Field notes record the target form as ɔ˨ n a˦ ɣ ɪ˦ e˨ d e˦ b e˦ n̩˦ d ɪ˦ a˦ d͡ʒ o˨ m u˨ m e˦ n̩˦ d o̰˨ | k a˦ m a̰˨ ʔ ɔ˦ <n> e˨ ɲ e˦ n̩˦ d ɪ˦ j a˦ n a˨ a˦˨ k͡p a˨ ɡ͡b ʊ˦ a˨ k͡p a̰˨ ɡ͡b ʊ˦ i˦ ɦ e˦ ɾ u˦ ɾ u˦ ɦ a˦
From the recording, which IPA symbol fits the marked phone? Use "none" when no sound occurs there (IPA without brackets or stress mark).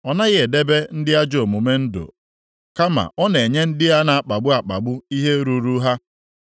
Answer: n